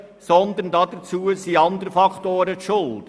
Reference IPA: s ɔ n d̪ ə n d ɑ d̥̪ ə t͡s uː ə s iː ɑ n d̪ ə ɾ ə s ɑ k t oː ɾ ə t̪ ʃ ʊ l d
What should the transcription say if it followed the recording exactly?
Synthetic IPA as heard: s ɔ n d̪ ə n d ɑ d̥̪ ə t͡s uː ə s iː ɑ n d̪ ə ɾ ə f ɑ k t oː ɾ ə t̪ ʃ ʊ l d